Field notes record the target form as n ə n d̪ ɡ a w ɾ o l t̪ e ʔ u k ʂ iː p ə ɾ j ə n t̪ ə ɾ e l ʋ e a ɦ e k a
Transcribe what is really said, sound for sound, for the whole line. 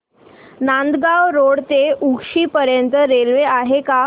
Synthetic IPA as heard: n a n d̪ ɡ a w ɾ o ɽ t̪ e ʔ u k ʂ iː p ə ɾ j ə n t̪ ə ɾ e l ʋ e a ɦ e k a

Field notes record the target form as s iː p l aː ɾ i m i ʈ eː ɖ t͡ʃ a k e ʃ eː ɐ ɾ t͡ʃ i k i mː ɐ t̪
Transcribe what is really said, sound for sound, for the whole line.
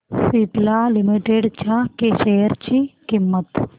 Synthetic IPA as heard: s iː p l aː l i m i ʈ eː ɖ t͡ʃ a k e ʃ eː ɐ ɾ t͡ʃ i k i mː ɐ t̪

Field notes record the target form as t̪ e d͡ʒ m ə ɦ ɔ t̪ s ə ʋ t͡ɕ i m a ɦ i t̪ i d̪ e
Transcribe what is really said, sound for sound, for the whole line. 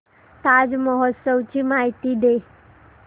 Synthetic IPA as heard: t̪ a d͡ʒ m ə ɦ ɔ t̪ s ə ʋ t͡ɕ i m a ɦ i t̪ i d̪ e

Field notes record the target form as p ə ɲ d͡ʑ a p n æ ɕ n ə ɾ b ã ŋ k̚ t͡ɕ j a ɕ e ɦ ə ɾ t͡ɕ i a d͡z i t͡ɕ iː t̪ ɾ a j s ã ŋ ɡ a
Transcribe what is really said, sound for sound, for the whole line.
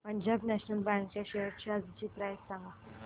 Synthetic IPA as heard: p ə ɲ d͡ʑ a b n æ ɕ n ə l b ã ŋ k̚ t͡ɕ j a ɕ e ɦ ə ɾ t͡ɕ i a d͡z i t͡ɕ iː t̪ ɾ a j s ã ŋ ɡ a

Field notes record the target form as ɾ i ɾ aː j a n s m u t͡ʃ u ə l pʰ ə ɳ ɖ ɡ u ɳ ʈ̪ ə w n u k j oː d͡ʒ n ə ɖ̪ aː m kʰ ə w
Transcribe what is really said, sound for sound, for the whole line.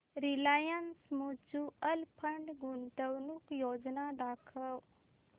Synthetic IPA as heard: ɾ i l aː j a n s m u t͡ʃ u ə l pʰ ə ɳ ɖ ɡ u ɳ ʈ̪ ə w n u k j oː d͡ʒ n a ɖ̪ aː kʰ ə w

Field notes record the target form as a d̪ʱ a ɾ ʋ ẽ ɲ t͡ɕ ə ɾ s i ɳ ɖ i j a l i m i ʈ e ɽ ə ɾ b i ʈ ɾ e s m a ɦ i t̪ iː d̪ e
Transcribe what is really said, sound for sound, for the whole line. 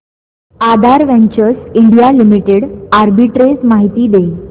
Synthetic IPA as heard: a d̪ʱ a ɾ ʋ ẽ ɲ t͡ɕ ə ɾ s i ɳ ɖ i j a l i m i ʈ e ɽ a ɾ b i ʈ ɾ e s m a ɦ i t̪ iː d̪ e

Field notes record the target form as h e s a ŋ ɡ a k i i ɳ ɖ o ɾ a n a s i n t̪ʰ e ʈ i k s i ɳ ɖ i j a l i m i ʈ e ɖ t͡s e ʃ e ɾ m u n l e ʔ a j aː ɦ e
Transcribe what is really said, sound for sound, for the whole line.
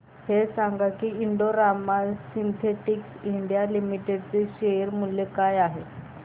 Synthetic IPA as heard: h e s a ŋ ɡ a k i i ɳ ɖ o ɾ a m a s i n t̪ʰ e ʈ i k s i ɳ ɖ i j a l i m i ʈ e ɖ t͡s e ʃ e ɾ m u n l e k a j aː ɦ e

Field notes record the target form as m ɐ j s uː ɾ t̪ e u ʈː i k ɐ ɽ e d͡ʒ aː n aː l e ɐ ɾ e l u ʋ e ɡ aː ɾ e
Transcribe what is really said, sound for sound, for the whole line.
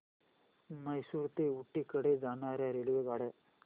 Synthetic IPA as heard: m ɐ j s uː ɾ t̪ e u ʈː i k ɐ ɽ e d͡ʒ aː n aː ɾ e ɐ ɾ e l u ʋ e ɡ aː ɽ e

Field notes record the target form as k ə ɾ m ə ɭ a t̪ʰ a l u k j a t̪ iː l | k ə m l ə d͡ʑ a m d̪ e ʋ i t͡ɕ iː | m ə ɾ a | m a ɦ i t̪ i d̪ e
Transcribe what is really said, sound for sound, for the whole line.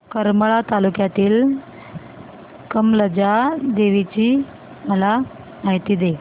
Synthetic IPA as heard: k ə ɾ m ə ɭ a t̪ a l u k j a t̪ iː l | k ə m l ə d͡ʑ a d̪ e ʋ i t͡ɕ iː | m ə l a | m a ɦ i t̪ i d̪ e

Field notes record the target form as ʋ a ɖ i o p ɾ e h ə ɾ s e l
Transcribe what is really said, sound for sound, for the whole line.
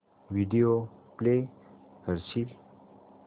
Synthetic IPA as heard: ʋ i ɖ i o p l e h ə ɾ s i l

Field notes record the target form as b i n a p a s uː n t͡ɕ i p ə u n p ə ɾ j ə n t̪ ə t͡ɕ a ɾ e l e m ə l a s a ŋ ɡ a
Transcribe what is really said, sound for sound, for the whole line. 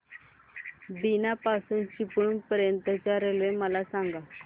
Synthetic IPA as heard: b i n a p a s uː n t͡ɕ i p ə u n p ə ɾ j ə n t̪ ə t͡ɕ a ɾ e l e m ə l a s a ŋ ɡ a

